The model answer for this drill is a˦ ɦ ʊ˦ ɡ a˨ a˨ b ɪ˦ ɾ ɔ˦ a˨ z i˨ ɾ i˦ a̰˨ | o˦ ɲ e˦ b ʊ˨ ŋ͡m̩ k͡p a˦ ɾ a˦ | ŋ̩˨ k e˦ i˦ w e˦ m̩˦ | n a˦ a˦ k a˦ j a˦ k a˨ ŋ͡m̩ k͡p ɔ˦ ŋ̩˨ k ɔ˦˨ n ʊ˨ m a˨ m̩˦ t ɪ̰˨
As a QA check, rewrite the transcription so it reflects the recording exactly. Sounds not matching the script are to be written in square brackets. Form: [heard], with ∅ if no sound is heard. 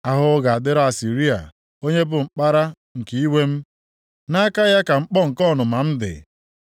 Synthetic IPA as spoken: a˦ ɦ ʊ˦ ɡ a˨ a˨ [d] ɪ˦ ɾ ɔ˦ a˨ [s] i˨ ɾ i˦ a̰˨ | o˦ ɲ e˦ b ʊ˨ ŋ͡m̩ k͡p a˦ ɾ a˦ | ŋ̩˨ k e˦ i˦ w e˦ m̩˦ | n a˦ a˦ k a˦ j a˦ k a˨ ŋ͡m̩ k͡p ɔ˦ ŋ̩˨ k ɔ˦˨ n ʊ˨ m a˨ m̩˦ [d] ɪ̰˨